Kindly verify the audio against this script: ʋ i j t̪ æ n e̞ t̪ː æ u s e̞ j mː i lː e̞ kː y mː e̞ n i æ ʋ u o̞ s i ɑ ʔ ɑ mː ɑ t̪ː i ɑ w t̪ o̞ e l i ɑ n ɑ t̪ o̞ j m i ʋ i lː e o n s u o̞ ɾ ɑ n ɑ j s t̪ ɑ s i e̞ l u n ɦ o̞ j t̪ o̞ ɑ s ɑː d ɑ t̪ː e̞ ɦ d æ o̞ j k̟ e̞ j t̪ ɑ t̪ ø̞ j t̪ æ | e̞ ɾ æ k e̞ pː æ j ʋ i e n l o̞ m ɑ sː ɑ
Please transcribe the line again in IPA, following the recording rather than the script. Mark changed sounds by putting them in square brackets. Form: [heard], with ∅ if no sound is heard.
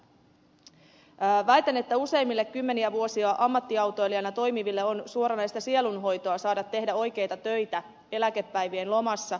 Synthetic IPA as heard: ʋ [æ] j t̪ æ n e̞ t̪ː æ u s e̞ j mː i lː e̞ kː y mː e̞ n i æ ʋ u o̞ s i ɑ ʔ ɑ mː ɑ t̪ː i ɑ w t̪ o̞ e l i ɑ n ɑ t̪ o̞ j m i ʋ i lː e o n s u o̞ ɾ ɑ n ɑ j s t̪ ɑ s i e̞ l u n ɦ o̞ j t̪ o̞ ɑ s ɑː d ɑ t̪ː e̞ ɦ d æ o̞ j k̟ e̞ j t̪ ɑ t̪ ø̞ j t̪ æ | e̞ [l] æ k e̞ pː æ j ʋ i e n l o̞ m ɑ sː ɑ